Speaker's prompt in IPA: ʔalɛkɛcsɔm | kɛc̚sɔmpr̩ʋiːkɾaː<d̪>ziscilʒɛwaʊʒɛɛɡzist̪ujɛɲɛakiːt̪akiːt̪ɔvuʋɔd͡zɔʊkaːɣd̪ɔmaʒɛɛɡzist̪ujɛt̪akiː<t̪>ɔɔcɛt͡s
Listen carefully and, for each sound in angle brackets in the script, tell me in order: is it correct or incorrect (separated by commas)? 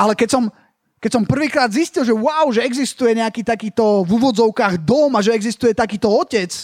correct, correct